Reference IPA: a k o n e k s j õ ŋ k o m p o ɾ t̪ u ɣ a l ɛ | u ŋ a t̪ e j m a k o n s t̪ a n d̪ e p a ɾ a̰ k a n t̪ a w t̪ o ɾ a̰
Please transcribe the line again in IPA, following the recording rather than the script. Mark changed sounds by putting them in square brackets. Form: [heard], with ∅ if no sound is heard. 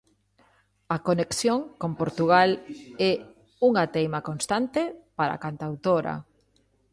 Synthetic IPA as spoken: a k o n e k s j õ ŋ k o m p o ɾ t̪ u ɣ a l ɛ | u ŋ a t̪ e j m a k o n s t̪ a n [t̪] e p a ɾ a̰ k a n t̪ a w t̪ o ɾ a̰